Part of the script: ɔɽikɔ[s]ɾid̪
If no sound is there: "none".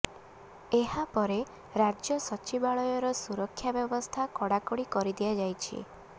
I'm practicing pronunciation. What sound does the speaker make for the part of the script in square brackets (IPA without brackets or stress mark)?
none